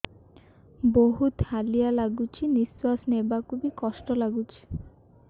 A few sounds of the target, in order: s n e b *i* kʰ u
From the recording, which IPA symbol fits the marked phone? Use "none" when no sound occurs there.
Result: a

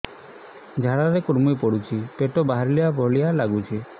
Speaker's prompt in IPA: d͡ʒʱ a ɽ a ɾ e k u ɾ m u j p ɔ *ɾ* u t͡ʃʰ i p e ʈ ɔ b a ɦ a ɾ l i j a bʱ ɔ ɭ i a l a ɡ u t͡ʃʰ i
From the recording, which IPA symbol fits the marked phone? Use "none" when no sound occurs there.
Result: ɽ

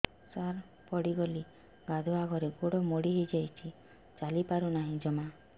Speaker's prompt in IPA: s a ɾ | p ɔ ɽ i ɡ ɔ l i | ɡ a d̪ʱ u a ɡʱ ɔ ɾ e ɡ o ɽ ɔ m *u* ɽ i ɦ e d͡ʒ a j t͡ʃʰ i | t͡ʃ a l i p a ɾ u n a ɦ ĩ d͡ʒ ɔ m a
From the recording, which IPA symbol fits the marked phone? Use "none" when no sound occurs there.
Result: o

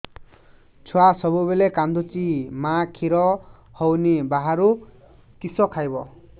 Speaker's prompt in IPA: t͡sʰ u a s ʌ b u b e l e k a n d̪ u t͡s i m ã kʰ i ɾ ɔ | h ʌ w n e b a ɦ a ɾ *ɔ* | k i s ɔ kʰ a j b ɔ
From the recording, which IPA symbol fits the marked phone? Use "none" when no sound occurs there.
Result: u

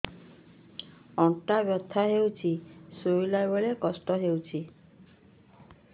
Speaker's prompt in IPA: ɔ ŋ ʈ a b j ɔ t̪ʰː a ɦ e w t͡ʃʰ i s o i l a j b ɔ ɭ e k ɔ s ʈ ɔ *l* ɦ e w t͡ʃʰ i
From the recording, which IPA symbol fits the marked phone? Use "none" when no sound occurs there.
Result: none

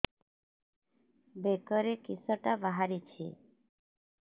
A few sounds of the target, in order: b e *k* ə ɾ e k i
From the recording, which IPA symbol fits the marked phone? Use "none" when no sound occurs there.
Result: k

